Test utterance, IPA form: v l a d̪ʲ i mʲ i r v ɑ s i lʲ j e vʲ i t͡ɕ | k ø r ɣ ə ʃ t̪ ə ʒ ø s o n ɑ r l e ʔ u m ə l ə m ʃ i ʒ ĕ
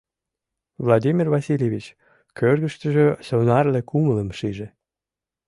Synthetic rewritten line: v l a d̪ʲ i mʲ i r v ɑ s i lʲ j e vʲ i t͡ɕ | k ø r ɣ ə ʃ t̪ ə ʒ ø s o n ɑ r l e k u m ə l ə m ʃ i ʒ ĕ